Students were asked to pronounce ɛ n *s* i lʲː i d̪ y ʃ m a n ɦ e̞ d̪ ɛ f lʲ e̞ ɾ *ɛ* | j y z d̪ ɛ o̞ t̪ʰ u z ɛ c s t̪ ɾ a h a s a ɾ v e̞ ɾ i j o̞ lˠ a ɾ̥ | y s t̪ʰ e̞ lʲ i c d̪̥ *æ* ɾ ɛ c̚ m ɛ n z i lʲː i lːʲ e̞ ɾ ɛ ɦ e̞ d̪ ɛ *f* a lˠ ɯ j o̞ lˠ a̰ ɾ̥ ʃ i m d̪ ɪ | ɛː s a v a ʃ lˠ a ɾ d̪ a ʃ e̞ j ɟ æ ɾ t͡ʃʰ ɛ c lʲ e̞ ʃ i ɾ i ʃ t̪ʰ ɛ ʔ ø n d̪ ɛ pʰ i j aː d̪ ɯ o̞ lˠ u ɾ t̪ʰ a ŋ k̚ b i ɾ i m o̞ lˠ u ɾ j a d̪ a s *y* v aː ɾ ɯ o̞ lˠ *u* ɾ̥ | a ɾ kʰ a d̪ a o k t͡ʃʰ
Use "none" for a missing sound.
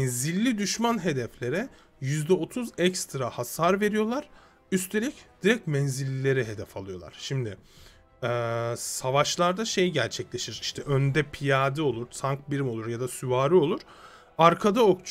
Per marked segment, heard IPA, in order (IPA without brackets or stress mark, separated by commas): z, ɛ, i, f, y, u